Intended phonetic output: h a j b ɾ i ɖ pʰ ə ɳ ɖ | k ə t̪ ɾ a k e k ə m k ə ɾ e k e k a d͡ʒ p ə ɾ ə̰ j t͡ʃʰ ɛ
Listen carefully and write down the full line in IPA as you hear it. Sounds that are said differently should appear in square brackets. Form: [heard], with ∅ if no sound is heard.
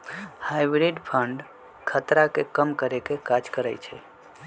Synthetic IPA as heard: h a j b ɾ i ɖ pʰ ə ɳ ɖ | [kʰ] ə t̪ ɾ a k e k ə m k ə ɾ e k e k a d͡ʒ [k] ə ɾ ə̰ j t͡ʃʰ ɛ